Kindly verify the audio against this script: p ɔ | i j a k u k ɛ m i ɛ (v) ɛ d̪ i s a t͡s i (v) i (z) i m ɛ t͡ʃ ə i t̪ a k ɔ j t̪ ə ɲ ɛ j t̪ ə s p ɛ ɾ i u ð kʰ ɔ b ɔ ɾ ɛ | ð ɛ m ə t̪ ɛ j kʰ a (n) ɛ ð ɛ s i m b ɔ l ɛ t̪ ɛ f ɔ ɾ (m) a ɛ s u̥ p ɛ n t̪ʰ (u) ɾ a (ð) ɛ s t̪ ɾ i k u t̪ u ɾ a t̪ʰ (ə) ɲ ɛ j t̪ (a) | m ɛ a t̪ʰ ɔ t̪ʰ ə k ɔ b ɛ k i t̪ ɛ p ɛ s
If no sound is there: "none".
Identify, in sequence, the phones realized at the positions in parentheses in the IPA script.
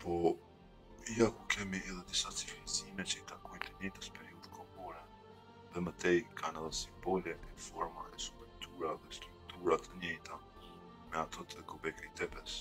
ð, f, z, n, m, u, ð, ə, a

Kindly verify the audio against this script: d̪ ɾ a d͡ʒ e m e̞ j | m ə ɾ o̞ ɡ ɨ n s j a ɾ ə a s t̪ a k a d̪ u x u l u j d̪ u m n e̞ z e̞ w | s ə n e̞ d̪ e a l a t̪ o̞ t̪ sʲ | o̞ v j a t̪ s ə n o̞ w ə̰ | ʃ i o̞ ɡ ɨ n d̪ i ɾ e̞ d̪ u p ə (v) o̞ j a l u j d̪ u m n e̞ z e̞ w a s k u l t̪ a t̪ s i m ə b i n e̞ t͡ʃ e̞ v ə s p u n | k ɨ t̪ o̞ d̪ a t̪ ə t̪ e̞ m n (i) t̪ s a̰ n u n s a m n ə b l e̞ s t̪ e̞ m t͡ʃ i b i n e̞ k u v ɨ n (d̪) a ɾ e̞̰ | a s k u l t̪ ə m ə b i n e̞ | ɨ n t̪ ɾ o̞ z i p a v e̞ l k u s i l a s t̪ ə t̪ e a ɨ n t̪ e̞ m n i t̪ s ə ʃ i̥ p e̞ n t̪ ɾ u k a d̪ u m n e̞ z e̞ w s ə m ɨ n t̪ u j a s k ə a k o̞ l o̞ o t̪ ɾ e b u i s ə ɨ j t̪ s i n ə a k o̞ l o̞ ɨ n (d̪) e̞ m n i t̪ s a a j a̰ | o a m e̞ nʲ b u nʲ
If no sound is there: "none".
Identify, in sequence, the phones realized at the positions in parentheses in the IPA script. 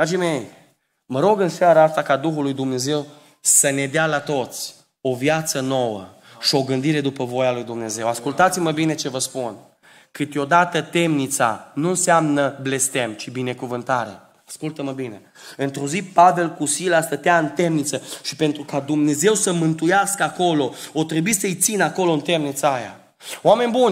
v, i, t̪, t̪

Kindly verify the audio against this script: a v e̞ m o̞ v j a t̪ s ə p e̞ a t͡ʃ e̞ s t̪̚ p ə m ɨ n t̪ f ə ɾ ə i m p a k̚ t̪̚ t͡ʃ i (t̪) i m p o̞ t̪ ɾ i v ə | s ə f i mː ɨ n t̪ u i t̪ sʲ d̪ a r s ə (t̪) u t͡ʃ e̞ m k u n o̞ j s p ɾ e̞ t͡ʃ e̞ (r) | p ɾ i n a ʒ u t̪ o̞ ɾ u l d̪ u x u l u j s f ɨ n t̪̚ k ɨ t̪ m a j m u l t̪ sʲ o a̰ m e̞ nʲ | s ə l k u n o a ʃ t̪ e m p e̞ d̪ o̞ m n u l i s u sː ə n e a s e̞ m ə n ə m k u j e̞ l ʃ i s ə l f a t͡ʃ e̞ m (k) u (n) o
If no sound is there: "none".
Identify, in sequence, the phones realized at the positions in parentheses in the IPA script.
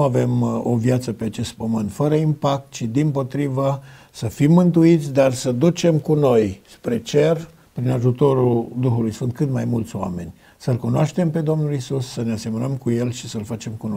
d̪, d̪, r, k, n

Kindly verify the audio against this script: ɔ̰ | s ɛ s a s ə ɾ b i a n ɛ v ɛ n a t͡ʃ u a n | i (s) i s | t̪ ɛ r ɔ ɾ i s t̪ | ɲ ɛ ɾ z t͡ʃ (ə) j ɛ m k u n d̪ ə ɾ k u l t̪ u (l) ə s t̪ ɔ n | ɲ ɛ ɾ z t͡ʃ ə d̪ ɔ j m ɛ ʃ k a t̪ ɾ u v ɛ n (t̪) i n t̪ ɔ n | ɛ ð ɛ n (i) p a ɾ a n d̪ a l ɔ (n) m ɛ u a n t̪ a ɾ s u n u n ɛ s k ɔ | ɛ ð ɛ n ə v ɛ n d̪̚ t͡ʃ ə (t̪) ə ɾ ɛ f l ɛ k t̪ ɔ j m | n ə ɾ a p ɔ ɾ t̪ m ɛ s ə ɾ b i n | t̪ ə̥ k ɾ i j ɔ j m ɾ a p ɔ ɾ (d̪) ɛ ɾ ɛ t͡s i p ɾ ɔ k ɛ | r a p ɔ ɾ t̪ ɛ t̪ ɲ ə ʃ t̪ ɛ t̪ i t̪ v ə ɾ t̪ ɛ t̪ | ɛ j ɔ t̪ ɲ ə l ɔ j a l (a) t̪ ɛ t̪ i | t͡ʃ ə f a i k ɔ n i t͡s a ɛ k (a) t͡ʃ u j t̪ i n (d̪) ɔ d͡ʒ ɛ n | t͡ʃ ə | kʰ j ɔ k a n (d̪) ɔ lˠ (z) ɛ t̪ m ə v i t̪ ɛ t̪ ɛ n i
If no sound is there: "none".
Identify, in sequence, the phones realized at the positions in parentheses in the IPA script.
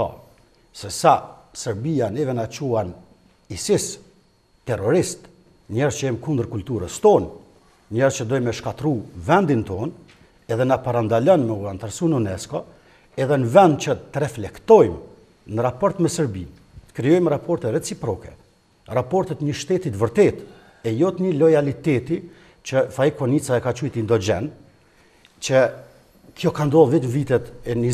s, ə, ɾ, d̪, a, n, t̪, t̪, i, a, d̪, d̪, v

